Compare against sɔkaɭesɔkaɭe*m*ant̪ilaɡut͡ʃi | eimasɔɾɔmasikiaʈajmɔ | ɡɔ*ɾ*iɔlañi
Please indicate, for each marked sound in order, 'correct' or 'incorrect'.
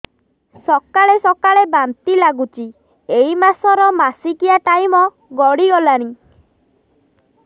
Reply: incorrect, incorrect

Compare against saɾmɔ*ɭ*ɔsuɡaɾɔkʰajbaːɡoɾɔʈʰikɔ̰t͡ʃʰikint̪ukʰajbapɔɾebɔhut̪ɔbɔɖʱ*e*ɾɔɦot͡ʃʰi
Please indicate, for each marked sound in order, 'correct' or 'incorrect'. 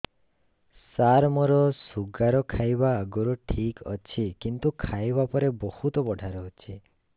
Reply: incorrect, incorrect

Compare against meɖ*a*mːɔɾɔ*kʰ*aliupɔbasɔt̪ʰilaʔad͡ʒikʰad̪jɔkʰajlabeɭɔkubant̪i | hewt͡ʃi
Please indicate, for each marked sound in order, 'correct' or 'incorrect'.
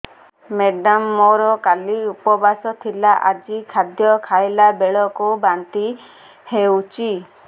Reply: correct, incorrect

